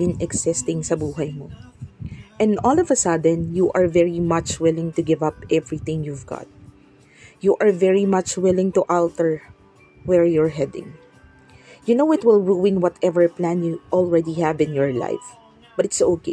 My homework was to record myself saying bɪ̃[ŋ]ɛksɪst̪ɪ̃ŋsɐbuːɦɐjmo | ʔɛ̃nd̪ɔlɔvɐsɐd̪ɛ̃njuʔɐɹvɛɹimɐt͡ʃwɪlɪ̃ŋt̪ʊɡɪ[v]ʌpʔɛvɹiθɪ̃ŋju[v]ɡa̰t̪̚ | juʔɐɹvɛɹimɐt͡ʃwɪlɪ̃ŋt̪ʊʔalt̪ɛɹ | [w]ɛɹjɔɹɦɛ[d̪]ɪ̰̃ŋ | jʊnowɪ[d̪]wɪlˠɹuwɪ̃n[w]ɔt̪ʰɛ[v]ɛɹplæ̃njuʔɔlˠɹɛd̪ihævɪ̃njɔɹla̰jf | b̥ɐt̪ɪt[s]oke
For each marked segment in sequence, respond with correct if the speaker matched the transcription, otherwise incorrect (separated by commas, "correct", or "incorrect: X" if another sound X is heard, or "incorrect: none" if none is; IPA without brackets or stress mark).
incorrect: n, correct, correct, correct, correct, incorrect: t̪, correct, correct, correct